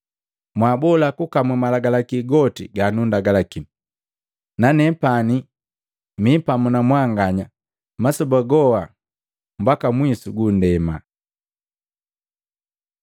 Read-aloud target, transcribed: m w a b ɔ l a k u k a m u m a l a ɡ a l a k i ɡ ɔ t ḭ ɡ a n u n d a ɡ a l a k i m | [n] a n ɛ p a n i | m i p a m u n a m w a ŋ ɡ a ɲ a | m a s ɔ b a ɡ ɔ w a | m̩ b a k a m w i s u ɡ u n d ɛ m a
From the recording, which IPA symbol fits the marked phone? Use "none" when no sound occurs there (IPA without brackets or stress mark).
n